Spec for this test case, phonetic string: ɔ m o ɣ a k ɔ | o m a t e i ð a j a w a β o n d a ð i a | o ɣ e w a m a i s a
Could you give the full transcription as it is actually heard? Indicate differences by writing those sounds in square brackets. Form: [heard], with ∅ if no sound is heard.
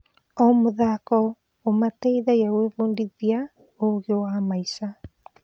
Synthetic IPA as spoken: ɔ m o [ð] a k ɔ | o m a t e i ð a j a w [e] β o n d [i] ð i a | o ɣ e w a m a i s a